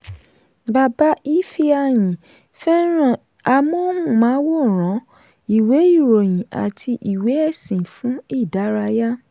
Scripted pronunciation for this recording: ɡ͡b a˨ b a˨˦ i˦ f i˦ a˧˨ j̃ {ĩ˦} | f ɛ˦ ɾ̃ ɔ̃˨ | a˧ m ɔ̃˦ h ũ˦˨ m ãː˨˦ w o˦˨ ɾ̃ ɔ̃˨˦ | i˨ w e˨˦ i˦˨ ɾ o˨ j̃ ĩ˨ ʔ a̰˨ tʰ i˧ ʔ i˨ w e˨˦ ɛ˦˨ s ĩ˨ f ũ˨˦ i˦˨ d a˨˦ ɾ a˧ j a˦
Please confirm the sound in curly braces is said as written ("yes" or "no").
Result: no